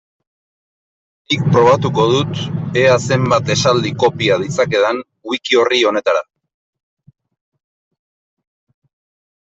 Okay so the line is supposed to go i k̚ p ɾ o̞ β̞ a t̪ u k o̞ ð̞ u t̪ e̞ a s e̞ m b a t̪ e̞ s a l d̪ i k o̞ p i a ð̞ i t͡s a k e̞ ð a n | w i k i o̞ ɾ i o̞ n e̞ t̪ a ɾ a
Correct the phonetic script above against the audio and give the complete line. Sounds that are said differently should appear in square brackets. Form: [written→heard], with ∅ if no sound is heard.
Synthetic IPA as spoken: i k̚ p ɾ o̞ β̞ a t̪ u k o̞ ð̞ u t̪ e̞ a s e̞ m b a t̪ e̞ s a l d̪ i k o̞ p i a ð̞ i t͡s a k e̞ ð a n | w i k i o̞ [ɾ→r] i o̞ n e̞ t̪ a ɾ a

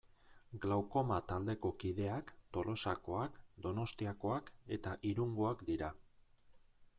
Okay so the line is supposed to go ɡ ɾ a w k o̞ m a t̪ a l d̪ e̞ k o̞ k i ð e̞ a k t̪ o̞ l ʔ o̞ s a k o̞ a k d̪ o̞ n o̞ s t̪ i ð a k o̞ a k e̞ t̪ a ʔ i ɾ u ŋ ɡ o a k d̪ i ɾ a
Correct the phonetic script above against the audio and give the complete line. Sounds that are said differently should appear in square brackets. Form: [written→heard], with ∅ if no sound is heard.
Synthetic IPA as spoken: ɡ [ɾ→l] a w k o̞ m a t̪ a l d̪ e̞ k o̞ k i ð e̞ a k t̪ o̞ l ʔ o̞ s a k o̞ a k d̪ o̞ n o̞ s t̪ i [ð→∅] a k o̞ a k e̞ t̪ a ʔ i ɾ u ŋ ɡ o a k d̪ i ɾ a

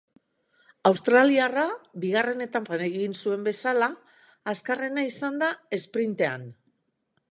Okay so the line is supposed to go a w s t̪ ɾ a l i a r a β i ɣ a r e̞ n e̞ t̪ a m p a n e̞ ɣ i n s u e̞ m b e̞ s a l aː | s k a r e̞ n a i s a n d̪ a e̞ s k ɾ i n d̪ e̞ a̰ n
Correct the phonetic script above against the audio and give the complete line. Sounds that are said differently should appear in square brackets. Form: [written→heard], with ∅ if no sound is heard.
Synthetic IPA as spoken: a w s t̪ ɾ a l i a r a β i ɣ a r e̞ n e̞ t̪ a m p a n e̞ ɣ i n s u e̞ m b e̞ s a l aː | s k a r e̞ n a i s a n d̪ a e̞ s [k→p] ɾ i n [d̪→t̪] e̞ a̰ n

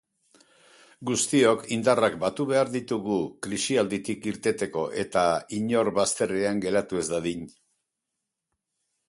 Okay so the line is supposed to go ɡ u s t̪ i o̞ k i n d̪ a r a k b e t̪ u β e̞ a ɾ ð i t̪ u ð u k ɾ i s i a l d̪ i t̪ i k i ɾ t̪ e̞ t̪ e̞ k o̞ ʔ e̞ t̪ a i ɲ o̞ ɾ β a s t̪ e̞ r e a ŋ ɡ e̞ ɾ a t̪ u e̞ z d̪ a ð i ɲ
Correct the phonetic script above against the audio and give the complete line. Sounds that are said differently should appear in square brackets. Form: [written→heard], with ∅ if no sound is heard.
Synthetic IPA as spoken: ɡ u s t̪ i o̞ k i n d̪ a r a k b [e→a] t̪ u β e̞ a ɾ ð i t̪ u [ð→ɣ] u k ɾ i s i a l d̪ i t̪ i k i ɾ t̪ e̞ t̪ e̞ k o̞ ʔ e̞ t̪ a i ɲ o̞ ɾ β a s t̪ e̞ r e a ŋ ɡ e̞ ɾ a t̪ u e̞ z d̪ a ð i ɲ

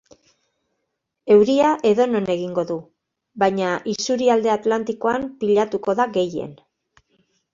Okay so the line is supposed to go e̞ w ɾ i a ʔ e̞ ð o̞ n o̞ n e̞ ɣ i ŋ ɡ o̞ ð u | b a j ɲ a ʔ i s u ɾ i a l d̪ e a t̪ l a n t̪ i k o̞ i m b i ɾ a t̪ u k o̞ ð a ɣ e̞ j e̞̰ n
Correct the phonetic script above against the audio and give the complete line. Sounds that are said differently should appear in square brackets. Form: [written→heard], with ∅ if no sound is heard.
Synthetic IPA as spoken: e̞ w ɾ i a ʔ e̞ ð o̞ n o̞ n e̞ ɣ i ŋ ɡ o̞ ð u | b a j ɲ a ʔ i s u ɾ i a l d̪ e a t̪ l a n t̪ i k o̞ [i→a] m [b→p] i [ɾ→ʎ] a t̪ u k o̞ ð a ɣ e̞ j e̞̰ n

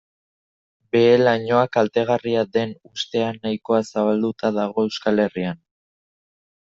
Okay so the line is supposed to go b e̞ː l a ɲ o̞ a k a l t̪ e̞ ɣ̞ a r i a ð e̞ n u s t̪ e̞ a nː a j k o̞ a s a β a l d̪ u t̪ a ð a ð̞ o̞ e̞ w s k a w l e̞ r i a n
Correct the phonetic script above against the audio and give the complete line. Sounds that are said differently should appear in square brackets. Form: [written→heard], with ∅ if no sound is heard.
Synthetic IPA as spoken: b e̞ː l a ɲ o̞ a k a l t̪ e̞ ɣ̞ a r i a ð e̞ n u s t̪ e̞ a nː a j k o̞ a s a β a l d̪ u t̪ a ð a [ð̞→ɣ̞] o̞ e̞ w s k a [w→∅] l e̞ r i a n

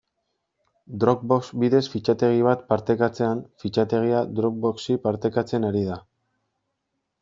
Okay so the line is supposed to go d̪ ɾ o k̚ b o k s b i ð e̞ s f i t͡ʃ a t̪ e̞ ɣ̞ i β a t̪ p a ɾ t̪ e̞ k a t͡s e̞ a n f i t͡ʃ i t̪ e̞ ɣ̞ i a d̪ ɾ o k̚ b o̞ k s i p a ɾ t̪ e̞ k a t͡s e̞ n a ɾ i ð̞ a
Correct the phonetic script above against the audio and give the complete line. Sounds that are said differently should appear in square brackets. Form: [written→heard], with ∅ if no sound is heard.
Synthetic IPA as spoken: d̪ ɾ o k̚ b o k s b i ð e̞ s f i t͡ʃ a t̪ e̞ ɣ̞ i β a t̪ p a ɾ t̪ e̞ k a t͡s e̞ a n f i t͡ʃ [i→a] t̪ e̞ ɣ̞ i a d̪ ɾ o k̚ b o̞ k s i p a ɾ t̪ e̞ k a t͡s e̞ n a ɾ i ð̞ a

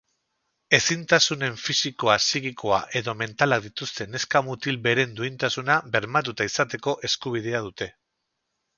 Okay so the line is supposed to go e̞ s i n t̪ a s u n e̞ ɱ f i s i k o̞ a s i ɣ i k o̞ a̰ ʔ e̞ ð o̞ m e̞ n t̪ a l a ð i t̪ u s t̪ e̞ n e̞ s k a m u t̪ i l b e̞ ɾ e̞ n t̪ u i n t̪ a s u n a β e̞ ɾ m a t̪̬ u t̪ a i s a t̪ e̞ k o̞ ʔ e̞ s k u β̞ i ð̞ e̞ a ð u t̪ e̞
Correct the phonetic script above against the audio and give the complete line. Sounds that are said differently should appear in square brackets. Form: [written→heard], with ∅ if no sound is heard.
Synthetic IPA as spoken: e̞ s i n t̪ a s u n e̞ ɱ f i s i k o̞ a s i ɣ i k o̞ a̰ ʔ e̞ ð o̞ m e̞ n t̪ a l a ð i t̪ u s t̪ e̞ n e̞ s k a m u t̪ i l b e̞ ɾ e̞ n [t̪→d̪] u i n t̪ a s u n a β e̞ ɾ m a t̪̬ u t̪ a i s a t̪ e̞ k o̞ ʔ e̞ s k u β̞ i ð̞ e̞ a ð u t̪ e̞

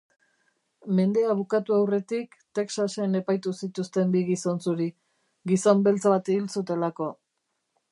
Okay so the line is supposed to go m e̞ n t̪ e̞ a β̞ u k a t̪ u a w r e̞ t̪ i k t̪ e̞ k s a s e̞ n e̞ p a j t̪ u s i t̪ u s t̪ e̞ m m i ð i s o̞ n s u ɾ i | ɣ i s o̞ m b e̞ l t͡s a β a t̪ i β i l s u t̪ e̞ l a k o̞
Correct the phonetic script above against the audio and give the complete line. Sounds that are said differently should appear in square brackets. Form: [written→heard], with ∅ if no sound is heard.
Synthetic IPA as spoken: m e̞ n [t̪→d̪] e̞ a β̞ u k a t̪ u a w r e̞ t̪ i k t̪ e̞ k s a s e̞ n e̞ p a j t̪ u s i t̪ u s t̪ e̞ m [m→b] i [ð→ɣ] i s o̞ n s u ɾ i | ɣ i s o̞ m b e̞ l t͡s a β a t̪ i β i l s u t̪ e̞ l a k o̞

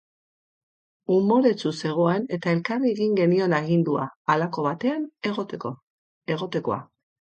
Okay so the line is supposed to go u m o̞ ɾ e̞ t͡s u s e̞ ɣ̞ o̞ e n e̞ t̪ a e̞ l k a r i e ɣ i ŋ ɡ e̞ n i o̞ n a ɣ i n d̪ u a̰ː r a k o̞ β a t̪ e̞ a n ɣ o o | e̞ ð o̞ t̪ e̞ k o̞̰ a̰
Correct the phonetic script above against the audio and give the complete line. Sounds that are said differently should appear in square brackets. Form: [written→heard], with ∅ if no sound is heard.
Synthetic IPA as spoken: u m o̞ ɾ e̞ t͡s u s e̞ ɣ̞ o̞ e n e̞ t̪ a e̞ l k a r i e ɣ i ŋ ɡ e̞ n i o̞ n a ɣ i n d̪ u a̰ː [r→l] a k o̞ β a t̪ e̞ a n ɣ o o | e̞ [ð→ɣ] o̞ t̪ e̞ k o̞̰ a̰

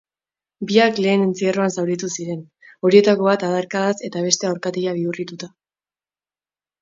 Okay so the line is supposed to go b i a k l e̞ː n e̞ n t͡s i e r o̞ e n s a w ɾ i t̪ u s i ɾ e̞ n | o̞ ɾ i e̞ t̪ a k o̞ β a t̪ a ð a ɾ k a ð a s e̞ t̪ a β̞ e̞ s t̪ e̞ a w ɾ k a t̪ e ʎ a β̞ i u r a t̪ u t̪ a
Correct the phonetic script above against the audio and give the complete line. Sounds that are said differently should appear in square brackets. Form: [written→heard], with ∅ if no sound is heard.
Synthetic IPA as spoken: b i a k l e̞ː n e̞ n t͡s i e r o̞ [e→a] n s a w ɾ i t̪ u s i ɾ e̞ n | o̞ ɾ i e̞ t̪ a k o̞ β a t̪ a ð a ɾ k a ð a s e̞ t̪ a β̞ e̞ s t̪ e̞ a w ɾ k a t̪ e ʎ a β̞ i u r [a→i] t̪ u t̪ a

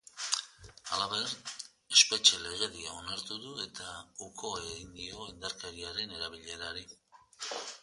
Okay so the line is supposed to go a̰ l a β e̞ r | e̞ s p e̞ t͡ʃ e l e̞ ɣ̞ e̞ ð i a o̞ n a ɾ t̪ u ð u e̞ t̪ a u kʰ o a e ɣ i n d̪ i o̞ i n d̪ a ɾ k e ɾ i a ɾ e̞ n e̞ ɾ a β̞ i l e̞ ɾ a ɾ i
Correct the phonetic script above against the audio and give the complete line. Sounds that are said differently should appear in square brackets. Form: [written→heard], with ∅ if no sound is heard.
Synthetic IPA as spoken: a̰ l a β e̞ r | e̞ s p e̞ t͡ʃ e l e̞ ɣ̞ e̞ ð i a o̞ n a ɾ t̪ u ð u e̞ t̪ a u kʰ o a e ɣ i n d̪ i o̞ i n d̪ a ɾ k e ɾ i a ɾ e̞ n e̞ ɾ a β̞ i [l→ʎ] e̞ ɾ a ɾ i

